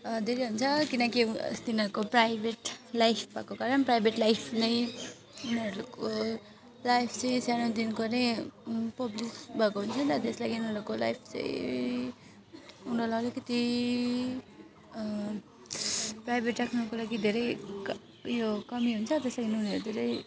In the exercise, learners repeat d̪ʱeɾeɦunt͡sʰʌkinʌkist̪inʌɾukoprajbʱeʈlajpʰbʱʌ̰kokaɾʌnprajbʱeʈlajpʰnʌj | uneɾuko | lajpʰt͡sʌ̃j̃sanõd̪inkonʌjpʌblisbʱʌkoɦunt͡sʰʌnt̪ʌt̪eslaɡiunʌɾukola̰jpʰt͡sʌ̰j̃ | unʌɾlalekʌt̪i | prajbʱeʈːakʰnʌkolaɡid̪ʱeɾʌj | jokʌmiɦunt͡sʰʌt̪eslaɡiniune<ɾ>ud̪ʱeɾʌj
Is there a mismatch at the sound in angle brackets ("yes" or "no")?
no